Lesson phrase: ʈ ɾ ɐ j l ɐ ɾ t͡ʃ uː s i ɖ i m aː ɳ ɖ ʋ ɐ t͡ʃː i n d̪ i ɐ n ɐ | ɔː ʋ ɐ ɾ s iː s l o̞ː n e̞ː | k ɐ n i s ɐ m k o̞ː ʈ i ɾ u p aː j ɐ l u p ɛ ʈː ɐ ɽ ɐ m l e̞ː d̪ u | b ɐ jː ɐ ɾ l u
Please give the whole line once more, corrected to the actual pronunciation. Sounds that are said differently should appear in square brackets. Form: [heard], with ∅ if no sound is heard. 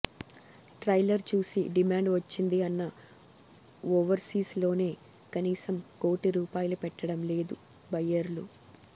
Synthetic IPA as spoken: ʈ ɾ ɐ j l ɐ ɾ t͡ʃ uː s i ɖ i m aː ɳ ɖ ʋ ɐ t͡ʃː i n d̪ i ɐ [nː] ɐ | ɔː ʋ ɐ ɾ s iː s l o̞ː n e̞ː | k ɐ n [iː] s ɐ m k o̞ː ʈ i ɾ [uː] p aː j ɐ l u p ɛ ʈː ɐ ɽ ɐ m l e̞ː d̪ u | b ɐ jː ɐ ɾ l u

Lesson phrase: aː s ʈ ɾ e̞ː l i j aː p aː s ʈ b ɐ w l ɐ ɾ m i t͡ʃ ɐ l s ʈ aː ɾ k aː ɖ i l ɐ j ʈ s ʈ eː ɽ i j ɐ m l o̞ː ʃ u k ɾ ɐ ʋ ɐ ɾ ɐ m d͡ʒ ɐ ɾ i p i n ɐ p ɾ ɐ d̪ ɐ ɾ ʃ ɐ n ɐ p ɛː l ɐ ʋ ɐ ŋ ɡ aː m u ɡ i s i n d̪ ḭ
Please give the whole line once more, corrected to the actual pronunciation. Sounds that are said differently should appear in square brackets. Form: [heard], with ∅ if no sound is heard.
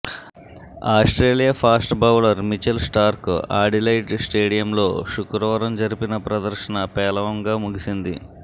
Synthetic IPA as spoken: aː s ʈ ɾ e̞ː l i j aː [pʰ] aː s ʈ b ɐ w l ɐ ɾ m i t͡ʃ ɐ l s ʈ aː ɾ k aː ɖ i l ɐ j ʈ s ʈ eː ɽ i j ɐ m l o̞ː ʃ u k ɾ ɐ ʋ ɐ ɾ ɐ m d͡ʒ ɐ ɾ i p i n ɐ p ɾ ɐ d̪ ɐ ɾ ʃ ɐ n ɐ p ɛː l ɐ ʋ ɐ ŋ ɡ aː m u ɡ i s i n d̪ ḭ

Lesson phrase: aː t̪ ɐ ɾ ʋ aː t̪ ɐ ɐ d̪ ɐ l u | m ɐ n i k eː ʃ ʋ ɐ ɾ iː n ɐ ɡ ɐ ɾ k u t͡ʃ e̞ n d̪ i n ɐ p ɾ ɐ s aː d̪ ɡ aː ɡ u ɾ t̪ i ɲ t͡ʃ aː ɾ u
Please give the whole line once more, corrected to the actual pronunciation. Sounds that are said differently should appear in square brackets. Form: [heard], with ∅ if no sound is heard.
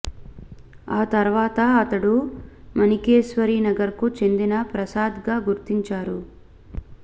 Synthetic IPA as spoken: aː t̪ ɐ ɾ ʋ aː t̪ ɐ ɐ [t̪] ɐ [ɽ] u | m ɐ n i k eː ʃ ʋ ɐ ɾ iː n ɐ ɡ ɐ ɾ k u t͡ʃ e̞ n d̪ i n ɐ p ɾ ɐ s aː d̪ ɡ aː ɡ u ɾ t̪ i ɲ t͡ʃ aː ɾ u

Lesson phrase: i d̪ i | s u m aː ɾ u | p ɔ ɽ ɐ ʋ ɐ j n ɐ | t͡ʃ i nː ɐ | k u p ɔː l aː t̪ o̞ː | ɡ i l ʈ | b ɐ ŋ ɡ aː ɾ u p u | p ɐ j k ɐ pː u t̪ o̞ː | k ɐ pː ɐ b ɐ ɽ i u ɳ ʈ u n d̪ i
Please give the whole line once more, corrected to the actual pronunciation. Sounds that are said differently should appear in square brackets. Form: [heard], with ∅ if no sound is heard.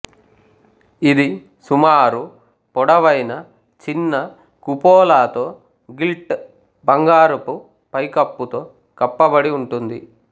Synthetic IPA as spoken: i d̪ i | s u m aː ɾ u | p ɔ ɽ ɐ ʋ ɐ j n ɐ | t͡ʃ i nː ɐ | k u p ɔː l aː t̪ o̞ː | ɡ i l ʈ | b ɐ ŋ ɡ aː ɾ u p u | p ɐ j k ɐ pː u t̪ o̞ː | k ɐ pː ɐ b ɐ ɽ i u ɳ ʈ u n d̪ i

